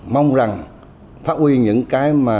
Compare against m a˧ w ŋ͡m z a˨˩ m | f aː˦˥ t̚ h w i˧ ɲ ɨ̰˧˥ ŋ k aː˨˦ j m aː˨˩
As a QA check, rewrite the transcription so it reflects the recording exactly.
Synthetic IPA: m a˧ w ŋ͡m z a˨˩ ŋ | f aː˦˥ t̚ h w i˧ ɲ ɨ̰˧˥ ŋ k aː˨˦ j m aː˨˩